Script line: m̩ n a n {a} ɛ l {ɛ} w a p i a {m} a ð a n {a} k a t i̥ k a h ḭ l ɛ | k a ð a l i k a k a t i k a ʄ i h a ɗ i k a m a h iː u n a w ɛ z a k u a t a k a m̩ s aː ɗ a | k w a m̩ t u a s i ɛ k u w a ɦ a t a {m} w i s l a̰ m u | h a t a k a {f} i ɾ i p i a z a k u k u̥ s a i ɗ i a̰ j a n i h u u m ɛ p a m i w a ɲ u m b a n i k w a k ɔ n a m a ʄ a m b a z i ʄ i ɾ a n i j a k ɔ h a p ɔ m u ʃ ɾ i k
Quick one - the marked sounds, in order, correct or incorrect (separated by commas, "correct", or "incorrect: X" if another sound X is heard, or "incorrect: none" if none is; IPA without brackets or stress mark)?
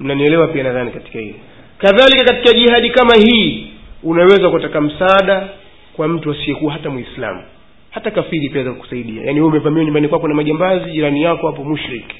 incorrect: i, correct, incorrect: n, incorrect: i, correct, correct